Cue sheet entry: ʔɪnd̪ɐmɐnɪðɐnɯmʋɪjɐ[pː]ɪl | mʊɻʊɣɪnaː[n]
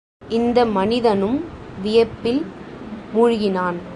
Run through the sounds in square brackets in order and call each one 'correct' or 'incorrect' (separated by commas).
correct, correct